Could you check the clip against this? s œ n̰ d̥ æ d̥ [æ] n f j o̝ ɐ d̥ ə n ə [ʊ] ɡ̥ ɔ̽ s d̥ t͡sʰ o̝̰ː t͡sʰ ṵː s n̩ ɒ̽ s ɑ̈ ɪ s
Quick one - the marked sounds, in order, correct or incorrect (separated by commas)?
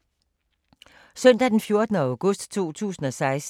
incorrect, correct